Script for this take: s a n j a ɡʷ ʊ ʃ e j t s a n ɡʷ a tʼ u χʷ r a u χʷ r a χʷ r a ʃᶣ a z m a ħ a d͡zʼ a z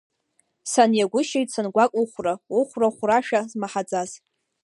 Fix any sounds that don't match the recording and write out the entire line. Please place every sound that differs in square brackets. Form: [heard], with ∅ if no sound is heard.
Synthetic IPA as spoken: s a n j a ɡʷ ʊ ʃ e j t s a n ɡʷ a [kʼ] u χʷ r a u χʷ r a χʷ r a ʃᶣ a z m a ħ a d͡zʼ a z